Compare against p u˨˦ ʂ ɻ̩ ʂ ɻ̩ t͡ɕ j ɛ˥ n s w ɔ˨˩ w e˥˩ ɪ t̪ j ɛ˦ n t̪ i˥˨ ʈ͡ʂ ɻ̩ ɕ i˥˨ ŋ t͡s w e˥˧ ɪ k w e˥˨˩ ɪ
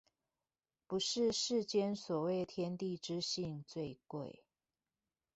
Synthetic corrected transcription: p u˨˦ ʂ ɻ̩ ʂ ɻ̩ t͡ɕ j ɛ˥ n s w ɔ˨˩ w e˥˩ ɪ t̪ʰ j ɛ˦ n t̪ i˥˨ ʈ͡ʂ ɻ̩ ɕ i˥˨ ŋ t͡s w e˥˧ ɪ k w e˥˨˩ ɪ